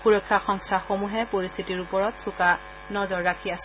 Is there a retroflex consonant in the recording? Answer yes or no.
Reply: no